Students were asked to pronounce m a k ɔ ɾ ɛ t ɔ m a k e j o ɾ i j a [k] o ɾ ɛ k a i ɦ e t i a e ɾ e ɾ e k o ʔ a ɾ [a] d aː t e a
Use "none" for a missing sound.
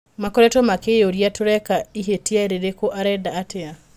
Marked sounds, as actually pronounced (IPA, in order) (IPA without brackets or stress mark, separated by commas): t, ɛ